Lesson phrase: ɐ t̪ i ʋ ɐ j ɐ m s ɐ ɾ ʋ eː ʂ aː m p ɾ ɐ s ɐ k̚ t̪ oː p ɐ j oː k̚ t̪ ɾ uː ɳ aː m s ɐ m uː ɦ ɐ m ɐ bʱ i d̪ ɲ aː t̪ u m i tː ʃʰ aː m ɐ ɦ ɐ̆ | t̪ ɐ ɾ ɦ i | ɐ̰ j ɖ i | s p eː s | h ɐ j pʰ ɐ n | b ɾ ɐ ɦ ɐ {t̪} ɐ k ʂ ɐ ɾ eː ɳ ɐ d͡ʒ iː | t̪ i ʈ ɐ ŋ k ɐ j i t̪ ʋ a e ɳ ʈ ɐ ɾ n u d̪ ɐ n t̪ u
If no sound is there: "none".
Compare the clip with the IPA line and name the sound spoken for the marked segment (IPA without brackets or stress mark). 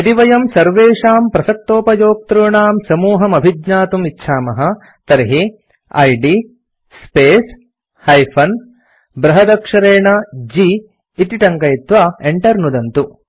d̪